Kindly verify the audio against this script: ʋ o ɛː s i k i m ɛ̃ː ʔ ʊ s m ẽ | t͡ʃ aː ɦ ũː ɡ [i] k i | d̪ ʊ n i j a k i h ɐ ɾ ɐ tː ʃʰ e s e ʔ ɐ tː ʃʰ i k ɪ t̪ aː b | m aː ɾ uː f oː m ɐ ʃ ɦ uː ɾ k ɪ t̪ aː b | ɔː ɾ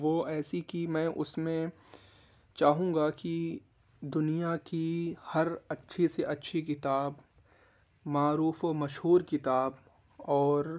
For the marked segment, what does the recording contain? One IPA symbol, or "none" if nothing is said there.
a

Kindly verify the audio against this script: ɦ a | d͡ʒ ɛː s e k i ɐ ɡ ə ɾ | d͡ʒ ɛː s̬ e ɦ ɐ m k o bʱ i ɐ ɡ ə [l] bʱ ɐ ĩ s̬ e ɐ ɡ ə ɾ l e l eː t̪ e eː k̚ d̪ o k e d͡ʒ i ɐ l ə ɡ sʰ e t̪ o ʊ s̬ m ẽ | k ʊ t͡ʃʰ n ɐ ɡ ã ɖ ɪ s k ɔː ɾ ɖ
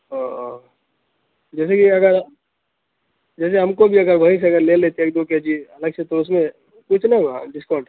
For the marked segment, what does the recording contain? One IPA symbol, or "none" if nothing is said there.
ɾ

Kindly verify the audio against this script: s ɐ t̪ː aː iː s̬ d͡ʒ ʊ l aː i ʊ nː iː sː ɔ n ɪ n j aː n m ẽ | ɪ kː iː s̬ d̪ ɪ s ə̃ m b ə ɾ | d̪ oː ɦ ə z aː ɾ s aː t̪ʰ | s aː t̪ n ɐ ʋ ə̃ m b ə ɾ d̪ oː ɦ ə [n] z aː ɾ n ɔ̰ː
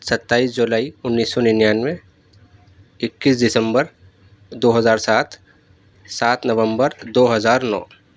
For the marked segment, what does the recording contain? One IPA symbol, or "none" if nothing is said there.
none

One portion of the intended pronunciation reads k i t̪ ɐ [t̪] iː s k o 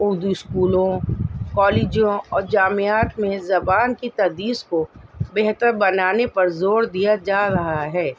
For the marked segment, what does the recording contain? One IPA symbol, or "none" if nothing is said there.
d̪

